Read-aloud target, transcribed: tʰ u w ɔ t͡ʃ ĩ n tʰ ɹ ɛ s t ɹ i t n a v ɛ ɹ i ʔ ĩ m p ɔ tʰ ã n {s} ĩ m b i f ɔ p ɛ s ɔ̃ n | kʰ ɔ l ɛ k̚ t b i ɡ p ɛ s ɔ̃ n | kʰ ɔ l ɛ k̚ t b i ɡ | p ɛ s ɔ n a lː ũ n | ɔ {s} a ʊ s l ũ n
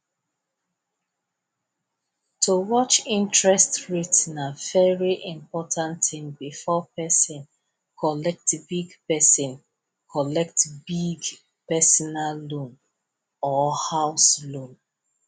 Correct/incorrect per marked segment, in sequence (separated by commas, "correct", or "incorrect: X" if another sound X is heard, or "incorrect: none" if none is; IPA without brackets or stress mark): incorrect: t, incorrect: h